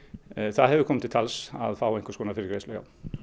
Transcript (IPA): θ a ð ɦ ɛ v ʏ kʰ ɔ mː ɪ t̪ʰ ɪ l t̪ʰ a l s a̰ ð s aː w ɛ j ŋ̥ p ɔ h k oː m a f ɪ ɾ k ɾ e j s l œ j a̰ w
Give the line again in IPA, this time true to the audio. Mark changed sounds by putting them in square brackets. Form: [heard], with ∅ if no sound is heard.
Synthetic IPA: θ a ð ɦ ɛ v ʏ kʰ ɔ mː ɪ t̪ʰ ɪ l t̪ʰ a l s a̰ ð [f] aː w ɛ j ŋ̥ [k] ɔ [s] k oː [n] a f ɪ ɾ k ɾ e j s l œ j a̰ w

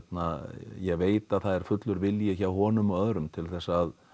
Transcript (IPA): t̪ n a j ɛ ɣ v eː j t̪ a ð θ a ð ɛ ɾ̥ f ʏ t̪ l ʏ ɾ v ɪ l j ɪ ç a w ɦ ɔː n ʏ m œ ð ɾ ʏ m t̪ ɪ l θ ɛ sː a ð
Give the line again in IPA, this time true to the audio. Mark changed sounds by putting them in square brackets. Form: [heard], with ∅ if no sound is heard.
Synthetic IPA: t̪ n a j ɛ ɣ v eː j t̪ a ð θ a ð ɛ ɾ̥ f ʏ t̪ l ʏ ɾ v ɪ l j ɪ ç a w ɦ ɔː n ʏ m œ ð ɾ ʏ m [t̪ʰ] ɪ l θ ɛ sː a ð

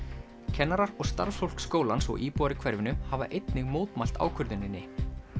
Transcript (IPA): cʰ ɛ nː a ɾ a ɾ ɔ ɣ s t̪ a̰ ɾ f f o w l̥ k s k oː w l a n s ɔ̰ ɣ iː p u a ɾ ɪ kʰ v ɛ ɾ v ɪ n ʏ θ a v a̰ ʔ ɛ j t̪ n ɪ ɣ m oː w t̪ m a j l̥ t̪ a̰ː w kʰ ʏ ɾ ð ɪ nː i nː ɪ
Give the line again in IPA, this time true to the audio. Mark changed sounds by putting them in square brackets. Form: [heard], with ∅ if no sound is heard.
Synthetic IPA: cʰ ɛ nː a ɾ a ɾ ɔ ɣ s t̪ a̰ ɾ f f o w l̥ k s k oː w l a n s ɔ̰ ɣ iː p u a ɾ ɪ kʰ v ɛ ɾ v ɪ n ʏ [h] a v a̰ ʔ [e] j t̪ n ɪ ɣ m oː w t̪ m a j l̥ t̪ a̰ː w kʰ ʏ ɾ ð ɪ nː [ɪ] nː ɪ

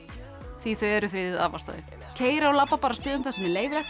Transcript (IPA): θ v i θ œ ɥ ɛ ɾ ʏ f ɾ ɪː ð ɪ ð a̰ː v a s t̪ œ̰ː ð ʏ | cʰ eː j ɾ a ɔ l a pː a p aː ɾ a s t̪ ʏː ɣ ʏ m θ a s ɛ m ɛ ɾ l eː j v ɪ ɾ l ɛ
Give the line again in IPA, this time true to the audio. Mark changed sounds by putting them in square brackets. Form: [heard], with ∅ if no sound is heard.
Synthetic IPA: θ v i θ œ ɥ ɛ ɾ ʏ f ɾ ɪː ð ɪ ð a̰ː v a s t̪ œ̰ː ð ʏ | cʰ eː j ɾ a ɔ l a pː a p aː ɾ a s t̪ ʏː [ð] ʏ m θ a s ɛ m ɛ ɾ l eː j v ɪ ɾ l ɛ

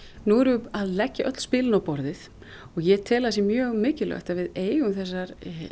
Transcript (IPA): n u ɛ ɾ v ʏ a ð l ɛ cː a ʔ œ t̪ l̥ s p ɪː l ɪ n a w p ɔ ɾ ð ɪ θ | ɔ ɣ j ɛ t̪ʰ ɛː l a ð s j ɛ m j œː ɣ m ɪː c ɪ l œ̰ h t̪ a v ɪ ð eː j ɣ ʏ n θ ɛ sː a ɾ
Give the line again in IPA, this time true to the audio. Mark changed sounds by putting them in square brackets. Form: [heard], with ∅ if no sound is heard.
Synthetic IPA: n u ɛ ɾ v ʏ a ð l ɛ cː a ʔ œ t̪ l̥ s p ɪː l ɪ n a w p ɔ ɾ ð ɪ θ | ɔ ɣ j ɛ t̪ʰ ɛː l a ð s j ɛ m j œː ɣ m ɪː c ɪ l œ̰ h t̪ a v ɪ ð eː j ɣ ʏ [m] θ ɛ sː a ɾ

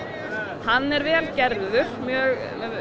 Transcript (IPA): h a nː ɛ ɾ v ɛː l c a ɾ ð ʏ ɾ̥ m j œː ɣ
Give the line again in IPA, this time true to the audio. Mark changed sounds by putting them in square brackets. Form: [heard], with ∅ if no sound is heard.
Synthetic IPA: h a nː ɛ ɾ v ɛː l c [ɛ] ɾ ð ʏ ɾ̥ m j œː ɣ

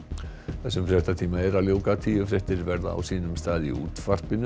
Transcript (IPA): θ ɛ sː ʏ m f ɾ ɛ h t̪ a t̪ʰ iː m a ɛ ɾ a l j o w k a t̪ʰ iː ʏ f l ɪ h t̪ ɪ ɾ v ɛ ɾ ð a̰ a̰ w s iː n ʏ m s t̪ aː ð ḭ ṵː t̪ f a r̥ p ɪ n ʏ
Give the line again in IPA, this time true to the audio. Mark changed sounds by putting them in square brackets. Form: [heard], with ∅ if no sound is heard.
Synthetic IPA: θ ɛ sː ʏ m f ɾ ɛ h t̪ a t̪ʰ iː m a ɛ ɾ a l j o w k a t̪ʰ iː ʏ f [ɾ] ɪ h t̪ ɪ ɾ v ɛ ɾ ð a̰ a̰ w s iː n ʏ m s t̪ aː ð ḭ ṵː t̪ f a r̥ p ɪ n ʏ

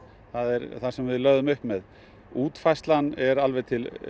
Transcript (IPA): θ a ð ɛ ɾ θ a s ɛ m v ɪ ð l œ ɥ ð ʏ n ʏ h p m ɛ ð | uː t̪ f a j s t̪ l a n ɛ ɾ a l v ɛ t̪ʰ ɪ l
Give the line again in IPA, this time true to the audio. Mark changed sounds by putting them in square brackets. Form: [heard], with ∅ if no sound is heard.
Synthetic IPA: θ a ð ɛ ɾ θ a s ɛ m v ɪ ð l œ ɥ ð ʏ [m] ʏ h p m ɛ ð | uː t̪ f a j s t̪ l a n ɛ ɾ a l v ɛ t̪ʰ ɪ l

